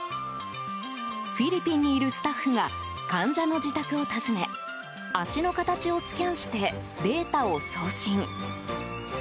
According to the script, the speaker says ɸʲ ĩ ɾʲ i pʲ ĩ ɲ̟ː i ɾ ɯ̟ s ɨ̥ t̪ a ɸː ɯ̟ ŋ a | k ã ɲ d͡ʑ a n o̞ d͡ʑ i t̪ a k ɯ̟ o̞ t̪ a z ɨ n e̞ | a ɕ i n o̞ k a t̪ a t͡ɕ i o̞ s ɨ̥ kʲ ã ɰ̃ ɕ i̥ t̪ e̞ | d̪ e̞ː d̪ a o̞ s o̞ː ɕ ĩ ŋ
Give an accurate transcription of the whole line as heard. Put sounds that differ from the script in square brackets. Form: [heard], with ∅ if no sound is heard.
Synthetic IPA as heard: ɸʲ [i] ɾʲ i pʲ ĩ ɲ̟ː [iː] ɾ ɯ̟ s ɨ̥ t̪ a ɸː ɯ̟ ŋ a | k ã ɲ d͡ʑ a n o̞ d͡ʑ i t̪ a k ɯ̟ o̞ t̪ a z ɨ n e̞ | a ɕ i n o̞ k a t̪ a t͡ɕ i o̞ s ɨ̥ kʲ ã ɰ̃ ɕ i̥ t̪ e̞ | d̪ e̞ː [t̪] a o̞ s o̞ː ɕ ĩ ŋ